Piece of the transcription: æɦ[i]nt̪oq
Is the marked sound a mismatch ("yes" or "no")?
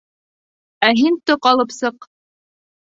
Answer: no